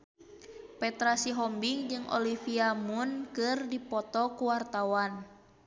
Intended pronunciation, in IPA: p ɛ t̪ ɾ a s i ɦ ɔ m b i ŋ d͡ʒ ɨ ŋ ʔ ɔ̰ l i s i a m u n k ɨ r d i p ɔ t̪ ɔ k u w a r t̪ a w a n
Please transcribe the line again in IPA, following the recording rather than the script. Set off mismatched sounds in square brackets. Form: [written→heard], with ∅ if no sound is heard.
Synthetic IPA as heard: p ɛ t̪ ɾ a s i ɦ ɔ m b i ŋ d͡ʒ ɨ ŋ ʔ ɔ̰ l i [s→f] i a m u n k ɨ r d i p ɔ t̪ ɔ k u w a r t̪ a w a n